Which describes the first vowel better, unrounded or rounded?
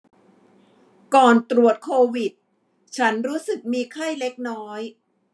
rounded